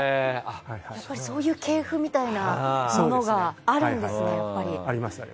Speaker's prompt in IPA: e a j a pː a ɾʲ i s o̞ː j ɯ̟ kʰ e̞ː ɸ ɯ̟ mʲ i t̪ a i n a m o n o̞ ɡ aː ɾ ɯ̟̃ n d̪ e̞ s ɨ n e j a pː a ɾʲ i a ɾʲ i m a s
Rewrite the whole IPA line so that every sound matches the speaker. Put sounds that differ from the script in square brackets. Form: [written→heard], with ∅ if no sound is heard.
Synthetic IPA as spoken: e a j a pː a ɾʲ i s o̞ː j [ɯ̟→ɯ̟ː] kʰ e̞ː ɸ ɯ̟ mʲ i t̪ a i n a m o n o̞ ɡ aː ɾ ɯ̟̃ n d̪ e̞ s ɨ n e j a pː a ɾʲ i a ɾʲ i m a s